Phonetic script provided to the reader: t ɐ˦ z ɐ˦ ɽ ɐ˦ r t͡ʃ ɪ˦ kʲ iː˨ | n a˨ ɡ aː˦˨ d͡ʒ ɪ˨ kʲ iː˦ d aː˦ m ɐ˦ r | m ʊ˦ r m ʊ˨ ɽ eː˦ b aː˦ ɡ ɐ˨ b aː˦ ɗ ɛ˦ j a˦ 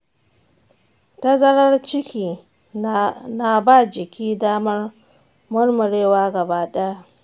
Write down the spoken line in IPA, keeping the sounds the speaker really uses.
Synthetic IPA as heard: t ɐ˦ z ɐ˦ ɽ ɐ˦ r t͡ʃ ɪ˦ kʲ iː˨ | n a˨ b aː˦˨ d͡ʒ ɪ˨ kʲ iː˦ d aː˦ m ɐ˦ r | m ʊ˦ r m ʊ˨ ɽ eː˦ w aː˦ ɡ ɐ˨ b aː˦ ɗ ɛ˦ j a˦